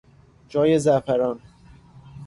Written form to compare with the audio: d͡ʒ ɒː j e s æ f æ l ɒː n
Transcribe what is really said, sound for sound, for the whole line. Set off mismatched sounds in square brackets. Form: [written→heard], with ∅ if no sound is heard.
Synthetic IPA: d͡ʒ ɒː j e [s→z] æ f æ [l→ɾ] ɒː n